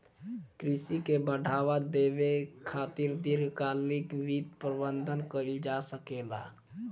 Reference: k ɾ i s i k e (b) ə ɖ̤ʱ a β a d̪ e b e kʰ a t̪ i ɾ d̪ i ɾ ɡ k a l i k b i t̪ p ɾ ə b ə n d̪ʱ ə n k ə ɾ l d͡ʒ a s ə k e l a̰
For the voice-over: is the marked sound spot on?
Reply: yes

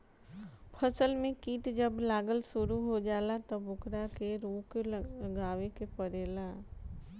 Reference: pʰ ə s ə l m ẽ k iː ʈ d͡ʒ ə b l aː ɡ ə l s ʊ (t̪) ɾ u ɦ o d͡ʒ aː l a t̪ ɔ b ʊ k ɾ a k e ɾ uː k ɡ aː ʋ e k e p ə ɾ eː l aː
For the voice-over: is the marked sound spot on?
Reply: no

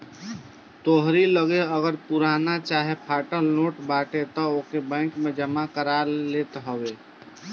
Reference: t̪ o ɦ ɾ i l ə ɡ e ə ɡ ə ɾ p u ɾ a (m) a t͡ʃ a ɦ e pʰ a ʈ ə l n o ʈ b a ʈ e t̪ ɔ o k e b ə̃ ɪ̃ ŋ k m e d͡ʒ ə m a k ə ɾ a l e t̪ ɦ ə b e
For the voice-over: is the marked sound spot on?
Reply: no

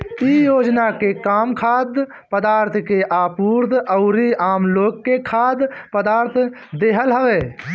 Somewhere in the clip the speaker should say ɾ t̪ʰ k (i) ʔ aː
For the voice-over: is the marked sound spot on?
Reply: no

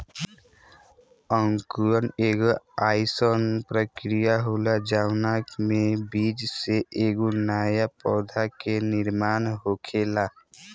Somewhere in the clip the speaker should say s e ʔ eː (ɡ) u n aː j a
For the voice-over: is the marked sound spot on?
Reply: yes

